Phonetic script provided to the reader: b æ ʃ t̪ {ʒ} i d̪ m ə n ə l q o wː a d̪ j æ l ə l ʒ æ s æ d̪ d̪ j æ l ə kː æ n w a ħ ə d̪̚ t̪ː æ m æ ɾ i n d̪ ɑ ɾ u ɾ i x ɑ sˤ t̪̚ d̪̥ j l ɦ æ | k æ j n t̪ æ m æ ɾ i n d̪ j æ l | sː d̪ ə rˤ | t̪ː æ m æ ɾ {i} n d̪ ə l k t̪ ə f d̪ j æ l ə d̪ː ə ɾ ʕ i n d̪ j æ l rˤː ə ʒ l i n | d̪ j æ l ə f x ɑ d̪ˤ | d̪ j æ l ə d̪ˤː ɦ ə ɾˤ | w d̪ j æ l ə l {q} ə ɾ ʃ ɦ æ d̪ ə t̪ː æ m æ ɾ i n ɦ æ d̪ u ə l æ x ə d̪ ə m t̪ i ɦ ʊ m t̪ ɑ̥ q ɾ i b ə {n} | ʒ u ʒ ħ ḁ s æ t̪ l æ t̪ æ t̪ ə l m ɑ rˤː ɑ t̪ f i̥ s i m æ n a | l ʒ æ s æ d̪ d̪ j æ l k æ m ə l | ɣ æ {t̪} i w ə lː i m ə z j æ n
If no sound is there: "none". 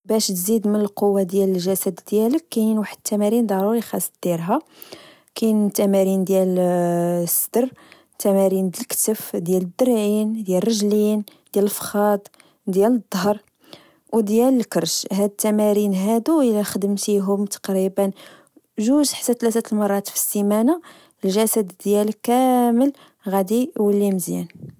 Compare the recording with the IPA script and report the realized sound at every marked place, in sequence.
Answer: z, i, k, n, d̪

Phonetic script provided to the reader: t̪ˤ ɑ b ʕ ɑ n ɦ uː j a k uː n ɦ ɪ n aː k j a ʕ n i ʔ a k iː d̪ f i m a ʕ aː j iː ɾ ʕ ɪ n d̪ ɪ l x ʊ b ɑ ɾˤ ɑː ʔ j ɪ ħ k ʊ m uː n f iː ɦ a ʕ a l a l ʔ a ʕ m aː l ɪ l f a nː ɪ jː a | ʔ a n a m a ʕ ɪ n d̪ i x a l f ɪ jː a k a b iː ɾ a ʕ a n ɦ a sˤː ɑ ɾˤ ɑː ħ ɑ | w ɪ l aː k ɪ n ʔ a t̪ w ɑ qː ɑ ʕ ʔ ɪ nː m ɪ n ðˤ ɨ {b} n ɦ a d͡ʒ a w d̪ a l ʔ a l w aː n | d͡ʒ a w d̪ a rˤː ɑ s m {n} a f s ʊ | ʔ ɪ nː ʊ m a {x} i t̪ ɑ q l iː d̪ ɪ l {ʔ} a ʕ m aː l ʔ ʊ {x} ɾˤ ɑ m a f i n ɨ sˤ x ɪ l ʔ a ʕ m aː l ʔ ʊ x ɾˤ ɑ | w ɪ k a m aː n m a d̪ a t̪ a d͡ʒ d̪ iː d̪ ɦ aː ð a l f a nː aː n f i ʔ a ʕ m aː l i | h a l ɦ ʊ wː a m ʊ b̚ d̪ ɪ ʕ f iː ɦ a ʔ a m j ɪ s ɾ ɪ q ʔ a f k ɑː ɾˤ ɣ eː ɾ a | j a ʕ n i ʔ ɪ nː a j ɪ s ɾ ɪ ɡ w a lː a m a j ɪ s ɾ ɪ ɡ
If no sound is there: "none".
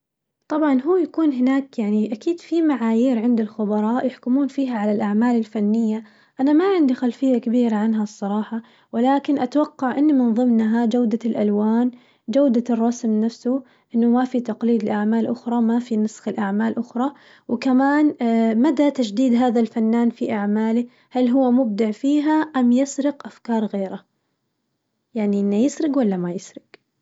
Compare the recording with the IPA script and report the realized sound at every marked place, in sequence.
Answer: m, n, f, ʔ, x

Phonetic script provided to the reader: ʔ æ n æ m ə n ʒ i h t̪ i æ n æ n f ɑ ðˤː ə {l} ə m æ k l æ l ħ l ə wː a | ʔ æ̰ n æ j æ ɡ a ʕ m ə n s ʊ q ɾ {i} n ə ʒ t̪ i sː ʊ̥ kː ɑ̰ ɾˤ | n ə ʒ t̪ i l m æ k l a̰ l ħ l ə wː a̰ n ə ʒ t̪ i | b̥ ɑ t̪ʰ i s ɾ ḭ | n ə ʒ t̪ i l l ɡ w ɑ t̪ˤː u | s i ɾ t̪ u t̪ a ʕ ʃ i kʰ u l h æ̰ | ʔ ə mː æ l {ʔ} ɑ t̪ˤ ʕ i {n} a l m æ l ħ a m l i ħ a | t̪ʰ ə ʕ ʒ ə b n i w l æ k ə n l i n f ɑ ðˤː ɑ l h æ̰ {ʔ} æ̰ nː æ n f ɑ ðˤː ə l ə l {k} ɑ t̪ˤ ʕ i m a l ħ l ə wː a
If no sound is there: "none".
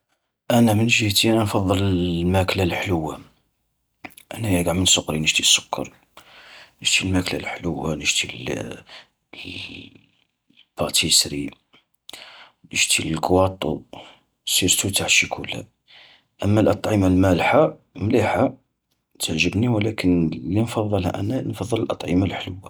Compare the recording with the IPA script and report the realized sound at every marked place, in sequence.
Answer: l, i, ʔ, m, ʔ, ʔ

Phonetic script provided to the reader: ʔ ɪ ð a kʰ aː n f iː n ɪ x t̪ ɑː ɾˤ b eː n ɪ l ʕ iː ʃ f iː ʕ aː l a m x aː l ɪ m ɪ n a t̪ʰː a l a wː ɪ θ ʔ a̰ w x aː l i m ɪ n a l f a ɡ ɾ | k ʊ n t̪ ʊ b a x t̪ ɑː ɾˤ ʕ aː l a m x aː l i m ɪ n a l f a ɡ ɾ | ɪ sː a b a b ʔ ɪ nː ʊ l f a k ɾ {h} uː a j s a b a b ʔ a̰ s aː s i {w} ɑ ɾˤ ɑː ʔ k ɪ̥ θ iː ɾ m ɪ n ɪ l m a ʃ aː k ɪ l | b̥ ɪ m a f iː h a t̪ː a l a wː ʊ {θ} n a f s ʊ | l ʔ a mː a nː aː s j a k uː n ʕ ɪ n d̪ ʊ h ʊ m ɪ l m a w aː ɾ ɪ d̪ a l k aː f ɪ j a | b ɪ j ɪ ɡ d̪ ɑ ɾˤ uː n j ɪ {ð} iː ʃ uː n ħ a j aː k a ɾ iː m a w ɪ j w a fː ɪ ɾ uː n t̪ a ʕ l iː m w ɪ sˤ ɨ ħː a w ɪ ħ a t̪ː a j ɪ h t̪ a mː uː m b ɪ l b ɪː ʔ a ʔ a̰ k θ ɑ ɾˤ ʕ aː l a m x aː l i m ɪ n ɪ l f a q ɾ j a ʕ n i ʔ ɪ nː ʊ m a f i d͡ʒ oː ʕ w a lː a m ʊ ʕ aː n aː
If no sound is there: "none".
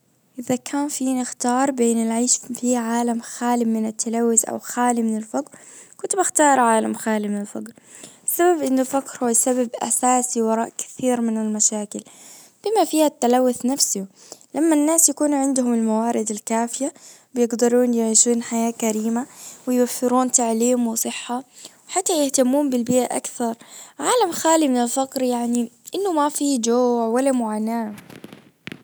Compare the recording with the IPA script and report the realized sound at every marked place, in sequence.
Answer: h, w, θ, ʕ

